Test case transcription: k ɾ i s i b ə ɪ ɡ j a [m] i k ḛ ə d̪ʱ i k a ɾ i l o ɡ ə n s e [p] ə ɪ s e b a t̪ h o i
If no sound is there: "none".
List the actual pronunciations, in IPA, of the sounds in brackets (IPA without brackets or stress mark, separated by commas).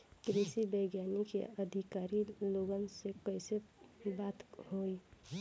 n, k